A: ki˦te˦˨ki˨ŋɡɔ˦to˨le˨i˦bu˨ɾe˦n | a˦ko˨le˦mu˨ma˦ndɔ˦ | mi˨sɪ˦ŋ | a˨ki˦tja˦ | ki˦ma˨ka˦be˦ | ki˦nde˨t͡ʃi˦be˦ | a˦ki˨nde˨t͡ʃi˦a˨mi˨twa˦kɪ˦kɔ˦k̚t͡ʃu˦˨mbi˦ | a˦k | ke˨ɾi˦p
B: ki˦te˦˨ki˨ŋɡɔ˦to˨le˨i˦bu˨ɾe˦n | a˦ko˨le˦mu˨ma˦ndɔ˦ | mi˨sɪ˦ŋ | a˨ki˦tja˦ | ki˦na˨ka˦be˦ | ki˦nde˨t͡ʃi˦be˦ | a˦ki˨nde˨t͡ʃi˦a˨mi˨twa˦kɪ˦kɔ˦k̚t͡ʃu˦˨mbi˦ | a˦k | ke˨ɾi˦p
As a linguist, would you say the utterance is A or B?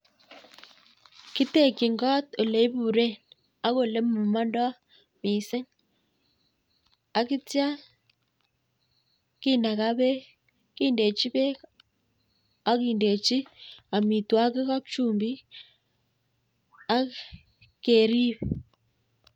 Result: B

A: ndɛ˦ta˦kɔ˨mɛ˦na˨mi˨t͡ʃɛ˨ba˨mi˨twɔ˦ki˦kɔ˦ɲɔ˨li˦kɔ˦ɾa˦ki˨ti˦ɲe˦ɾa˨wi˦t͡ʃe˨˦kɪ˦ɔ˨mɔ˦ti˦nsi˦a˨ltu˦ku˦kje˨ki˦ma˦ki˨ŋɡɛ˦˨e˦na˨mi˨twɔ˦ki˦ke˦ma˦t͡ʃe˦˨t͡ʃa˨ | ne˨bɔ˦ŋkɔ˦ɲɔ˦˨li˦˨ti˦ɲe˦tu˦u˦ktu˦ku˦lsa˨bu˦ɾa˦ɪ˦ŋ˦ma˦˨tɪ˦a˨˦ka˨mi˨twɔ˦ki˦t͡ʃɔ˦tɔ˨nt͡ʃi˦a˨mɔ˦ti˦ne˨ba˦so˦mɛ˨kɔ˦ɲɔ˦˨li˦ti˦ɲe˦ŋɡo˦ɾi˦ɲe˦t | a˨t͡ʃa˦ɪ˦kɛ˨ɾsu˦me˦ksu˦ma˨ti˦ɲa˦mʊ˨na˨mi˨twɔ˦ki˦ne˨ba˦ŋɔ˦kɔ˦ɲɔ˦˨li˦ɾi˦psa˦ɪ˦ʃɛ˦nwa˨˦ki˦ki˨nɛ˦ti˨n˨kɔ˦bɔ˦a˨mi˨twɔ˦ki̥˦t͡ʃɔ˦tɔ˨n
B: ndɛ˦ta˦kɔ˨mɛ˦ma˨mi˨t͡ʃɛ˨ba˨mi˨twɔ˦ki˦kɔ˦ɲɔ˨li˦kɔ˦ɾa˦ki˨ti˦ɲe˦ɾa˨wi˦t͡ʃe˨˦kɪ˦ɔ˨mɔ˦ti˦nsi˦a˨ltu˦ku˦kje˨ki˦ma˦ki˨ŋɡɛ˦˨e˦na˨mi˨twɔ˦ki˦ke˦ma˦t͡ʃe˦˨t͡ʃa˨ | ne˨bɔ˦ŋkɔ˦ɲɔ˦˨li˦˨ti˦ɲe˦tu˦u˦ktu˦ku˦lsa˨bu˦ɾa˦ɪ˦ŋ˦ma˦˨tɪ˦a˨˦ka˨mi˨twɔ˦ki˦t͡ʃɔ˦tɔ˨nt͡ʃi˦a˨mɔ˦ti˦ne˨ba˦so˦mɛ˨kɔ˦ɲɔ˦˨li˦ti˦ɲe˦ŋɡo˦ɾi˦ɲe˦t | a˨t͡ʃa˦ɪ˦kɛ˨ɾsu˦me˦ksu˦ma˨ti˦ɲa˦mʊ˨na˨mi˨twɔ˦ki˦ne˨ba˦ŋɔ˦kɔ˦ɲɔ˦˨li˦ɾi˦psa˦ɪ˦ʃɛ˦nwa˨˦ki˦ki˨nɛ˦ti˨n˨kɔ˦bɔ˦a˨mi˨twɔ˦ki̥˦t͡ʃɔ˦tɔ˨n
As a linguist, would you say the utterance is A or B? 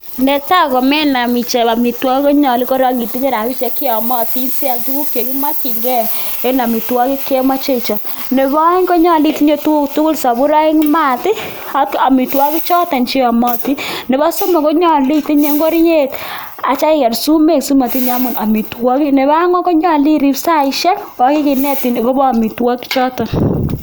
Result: A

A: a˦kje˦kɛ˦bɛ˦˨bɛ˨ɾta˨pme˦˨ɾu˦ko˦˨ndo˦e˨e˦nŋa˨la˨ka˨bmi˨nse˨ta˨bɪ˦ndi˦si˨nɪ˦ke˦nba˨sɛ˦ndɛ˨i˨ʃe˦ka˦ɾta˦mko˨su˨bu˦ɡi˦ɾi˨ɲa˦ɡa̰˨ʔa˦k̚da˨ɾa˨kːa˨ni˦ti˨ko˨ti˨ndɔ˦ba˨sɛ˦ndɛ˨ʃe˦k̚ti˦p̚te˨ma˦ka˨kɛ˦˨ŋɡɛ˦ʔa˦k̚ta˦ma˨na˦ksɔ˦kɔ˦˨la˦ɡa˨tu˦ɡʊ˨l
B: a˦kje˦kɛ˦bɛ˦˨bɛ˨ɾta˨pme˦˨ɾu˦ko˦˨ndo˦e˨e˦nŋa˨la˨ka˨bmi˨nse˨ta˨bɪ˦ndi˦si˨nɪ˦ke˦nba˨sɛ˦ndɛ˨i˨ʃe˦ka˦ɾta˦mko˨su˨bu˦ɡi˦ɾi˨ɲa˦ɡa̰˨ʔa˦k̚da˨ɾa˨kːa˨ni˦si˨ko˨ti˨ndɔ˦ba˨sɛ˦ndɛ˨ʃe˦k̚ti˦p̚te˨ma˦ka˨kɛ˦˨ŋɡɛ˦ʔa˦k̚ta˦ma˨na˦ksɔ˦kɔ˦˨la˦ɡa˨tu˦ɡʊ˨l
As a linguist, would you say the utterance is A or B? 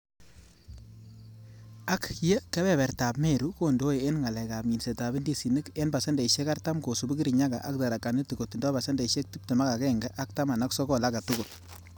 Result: A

